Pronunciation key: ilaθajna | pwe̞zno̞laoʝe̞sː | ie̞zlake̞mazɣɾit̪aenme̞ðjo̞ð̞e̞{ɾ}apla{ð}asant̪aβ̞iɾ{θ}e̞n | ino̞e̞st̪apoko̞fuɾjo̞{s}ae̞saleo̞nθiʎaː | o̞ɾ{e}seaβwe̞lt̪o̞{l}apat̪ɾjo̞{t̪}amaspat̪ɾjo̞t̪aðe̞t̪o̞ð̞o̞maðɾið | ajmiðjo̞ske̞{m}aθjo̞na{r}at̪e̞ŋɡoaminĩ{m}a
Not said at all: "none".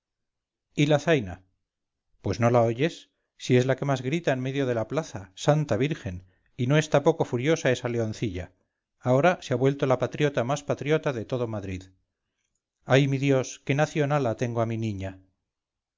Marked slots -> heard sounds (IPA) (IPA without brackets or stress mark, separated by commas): l, θ, x, s, a, l, t̪, n, l, ɲ